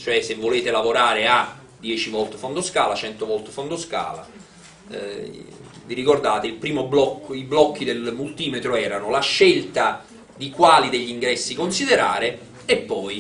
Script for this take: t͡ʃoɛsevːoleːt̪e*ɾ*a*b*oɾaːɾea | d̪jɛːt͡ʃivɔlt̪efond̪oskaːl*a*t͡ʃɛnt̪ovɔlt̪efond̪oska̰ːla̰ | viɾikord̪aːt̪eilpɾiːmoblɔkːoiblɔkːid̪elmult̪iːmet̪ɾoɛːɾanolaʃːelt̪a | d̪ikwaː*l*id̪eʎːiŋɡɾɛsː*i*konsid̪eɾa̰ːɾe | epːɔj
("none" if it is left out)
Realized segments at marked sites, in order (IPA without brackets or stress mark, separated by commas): l, v, a, l, i